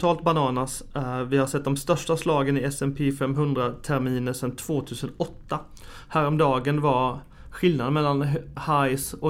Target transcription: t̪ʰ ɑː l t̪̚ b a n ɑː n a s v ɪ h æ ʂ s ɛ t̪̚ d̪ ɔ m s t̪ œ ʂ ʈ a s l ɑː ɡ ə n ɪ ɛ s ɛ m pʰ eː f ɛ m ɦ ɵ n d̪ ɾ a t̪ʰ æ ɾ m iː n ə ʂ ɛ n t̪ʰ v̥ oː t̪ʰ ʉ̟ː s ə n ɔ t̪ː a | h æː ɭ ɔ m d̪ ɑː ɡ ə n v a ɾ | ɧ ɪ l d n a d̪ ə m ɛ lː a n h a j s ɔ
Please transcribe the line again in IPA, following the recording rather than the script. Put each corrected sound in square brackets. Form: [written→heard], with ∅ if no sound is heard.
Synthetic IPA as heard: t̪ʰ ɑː l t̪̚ b a n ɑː n a s v ɪ h [æ→a] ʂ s ɛ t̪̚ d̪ ɔ m s t̪ œ ʂ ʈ a s l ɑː ɡ ə n ɪ ɛ s ɛ m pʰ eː f ɛ m ɦ ɵ n d̪ ɾ a t̪ʰ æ ɾ m iː n ə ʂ ɛ n t̪ʰ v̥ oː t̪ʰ ʉ̟ː s ə n ɔ t̪ː a | h æː [ɭ→ɾ] ɔ m d̪ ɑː ɡ ə n v a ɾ | ɧ ɪ l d n a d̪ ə m ɛ lː a n h a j s ɔ